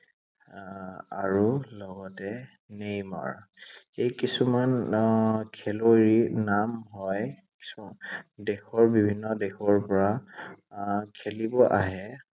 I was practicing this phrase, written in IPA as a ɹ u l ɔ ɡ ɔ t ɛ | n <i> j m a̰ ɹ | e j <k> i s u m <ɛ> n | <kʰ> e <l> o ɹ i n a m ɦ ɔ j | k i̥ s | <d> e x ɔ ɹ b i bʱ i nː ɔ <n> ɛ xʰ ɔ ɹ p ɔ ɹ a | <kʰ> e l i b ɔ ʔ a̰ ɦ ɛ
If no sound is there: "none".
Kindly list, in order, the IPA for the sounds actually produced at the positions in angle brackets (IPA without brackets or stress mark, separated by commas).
e, k, a, kʰ, l, d, d, kʰ